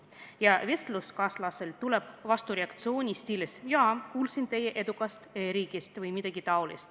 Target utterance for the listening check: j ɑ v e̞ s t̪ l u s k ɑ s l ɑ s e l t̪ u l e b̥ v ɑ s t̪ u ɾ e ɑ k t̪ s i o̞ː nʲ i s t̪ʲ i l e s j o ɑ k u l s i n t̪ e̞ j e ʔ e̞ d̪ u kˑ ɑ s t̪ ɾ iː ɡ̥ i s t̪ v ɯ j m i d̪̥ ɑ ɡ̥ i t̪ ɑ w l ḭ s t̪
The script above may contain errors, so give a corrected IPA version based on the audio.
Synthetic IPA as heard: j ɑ v e̞ s t̪ l u s k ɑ s l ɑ s e l t̪ u l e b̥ v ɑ s t̪ u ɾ e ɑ k t̪ s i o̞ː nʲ i s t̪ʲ i l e s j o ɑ k uː l s i n t̪ e̞ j e ʔ e̞ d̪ u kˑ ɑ s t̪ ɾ iː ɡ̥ i s t̪ v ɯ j m i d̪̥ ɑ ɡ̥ i t̪ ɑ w l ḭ s t̪